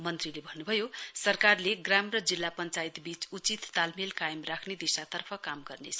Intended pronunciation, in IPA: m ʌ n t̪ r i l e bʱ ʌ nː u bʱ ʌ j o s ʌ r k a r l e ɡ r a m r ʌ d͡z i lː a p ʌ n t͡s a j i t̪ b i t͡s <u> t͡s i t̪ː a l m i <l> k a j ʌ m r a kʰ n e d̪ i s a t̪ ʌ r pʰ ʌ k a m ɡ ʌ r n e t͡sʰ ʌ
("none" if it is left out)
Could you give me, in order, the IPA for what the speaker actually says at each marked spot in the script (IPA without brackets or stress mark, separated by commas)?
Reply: u, l